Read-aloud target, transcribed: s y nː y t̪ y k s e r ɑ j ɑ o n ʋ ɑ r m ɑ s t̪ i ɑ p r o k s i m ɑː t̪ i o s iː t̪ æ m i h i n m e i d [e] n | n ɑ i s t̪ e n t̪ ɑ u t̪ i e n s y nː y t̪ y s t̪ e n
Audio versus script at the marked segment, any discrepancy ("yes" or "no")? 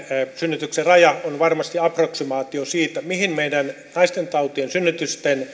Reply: yes